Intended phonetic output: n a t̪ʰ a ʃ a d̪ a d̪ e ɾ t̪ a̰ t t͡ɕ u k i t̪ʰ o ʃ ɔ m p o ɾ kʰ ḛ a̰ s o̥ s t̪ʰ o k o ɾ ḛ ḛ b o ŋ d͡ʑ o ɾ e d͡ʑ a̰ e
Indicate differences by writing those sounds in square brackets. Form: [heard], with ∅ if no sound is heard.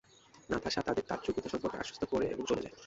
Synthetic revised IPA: n a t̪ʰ a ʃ a [t̪] a d̪ e ɾ t̪ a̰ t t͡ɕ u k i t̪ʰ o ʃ ɔ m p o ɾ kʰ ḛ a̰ [ʃ] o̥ s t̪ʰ o k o ɾ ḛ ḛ b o ŋ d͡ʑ o [l] e d͡ʑ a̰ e

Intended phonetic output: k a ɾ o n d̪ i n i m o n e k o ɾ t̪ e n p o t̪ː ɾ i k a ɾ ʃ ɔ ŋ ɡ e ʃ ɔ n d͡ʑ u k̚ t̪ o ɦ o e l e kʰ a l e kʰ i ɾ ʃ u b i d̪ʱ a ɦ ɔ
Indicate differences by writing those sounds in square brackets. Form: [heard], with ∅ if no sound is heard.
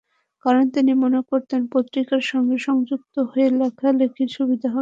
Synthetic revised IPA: k a ɾ o n [t̪] i n i m o n e k o ɾ t̪ e n p o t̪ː ɾ i k a ɾ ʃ ɔ ŋ ɡ e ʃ ɔ [ŋ] d͡ʑ u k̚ t̪ o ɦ o e l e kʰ a l e kʰ i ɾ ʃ u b i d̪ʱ a ɦ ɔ

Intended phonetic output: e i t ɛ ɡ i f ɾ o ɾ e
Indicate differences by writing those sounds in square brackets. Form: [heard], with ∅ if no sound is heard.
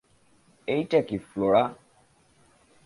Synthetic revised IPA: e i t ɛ [k] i f [l] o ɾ [a]

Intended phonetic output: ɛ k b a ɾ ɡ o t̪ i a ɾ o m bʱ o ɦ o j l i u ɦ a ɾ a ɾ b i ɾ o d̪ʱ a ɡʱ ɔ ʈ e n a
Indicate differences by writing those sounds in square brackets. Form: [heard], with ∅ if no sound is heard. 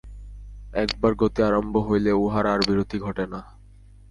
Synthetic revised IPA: ɛ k b a ɾ ɡ o t̪ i a ɾ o m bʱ o ɦ o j l [e] u ɦ a ɾ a ɾ b i ɾ o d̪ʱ [i] ɡʱ ɔ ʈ e n a

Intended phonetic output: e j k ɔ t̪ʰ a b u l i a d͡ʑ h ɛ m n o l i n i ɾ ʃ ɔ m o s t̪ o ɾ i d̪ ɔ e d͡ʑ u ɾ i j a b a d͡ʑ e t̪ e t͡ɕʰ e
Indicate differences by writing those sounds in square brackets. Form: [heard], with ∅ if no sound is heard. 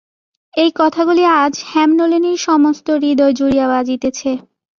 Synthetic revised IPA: e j k ɔ t̪ʰ a [ɡ] u l i a d͡ʑ h ɛ m n o l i n i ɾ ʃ ɔ m o s t̪ o ɾ i d̪ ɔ e d͡ʑ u ɾ i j a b a d͡ʑ [i] t̪ e t͡ɕʰ e

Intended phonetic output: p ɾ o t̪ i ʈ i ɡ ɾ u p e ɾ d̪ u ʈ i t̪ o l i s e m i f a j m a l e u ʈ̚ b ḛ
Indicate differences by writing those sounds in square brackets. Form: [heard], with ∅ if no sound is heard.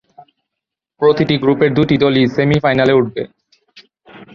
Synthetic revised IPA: p ɾ o t̪ i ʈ i ɡ ɾ u p e ɾ d̪ u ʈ i [d̪] o l i s e m i f a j [n] a l e u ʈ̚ b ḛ

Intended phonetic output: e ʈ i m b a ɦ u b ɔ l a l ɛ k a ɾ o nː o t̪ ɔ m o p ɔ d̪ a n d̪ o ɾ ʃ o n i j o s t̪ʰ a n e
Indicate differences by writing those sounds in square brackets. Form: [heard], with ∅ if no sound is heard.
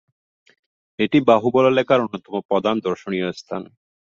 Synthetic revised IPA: e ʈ i [∅] b a ɦ u b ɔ l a l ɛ k a ɾ o nː o t̪ ɔ m o p ɔ d̪ a n d̪ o ɾ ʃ o n i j o s t̪ʰ a n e

